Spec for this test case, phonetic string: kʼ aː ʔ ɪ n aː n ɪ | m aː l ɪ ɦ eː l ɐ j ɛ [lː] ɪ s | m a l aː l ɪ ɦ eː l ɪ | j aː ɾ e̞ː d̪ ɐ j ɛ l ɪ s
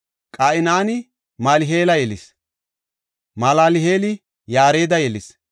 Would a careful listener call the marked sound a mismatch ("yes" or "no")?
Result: yes